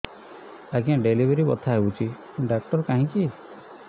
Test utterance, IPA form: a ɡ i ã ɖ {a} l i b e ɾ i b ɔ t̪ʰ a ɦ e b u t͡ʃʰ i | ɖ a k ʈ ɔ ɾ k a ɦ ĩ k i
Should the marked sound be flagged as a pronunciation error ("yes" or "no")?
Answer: yes